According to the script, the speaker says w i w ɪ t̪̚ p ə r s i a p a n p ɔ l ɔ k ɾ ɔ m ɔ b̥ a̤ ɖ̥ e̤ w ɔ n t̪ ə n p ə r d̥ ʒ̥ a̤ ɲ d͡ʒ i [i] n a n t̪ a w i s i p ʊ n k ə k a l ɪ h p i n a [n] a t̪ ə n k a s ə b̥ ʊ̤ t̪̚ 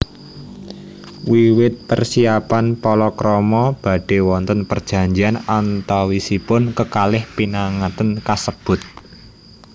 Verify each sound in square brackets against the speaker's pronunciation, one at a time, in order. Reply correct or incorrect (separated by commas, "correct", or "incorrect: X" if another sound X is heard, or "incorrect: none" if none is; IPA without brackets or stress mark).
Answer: incorrect: a, incorrect: ŋ